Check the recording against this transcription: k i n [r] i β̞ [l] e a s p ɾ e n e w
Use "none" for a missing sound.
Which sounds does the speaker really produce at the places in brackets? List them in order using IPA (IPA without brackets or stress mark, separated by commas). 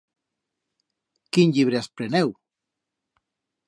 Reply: ʎ, ɾ